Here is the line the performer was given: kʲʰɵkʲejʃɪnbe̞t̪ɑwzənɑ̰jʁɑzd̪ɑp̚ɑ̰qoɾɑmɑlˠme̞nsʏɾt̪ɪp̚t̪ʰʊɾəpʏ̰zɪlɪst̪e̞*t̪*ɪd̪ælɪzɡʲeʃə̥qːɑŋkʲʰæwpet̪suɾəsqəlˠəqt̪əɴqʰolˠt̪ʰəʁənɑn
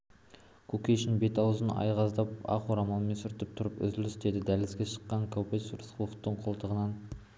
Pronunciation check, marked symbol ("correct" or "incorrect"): incorrect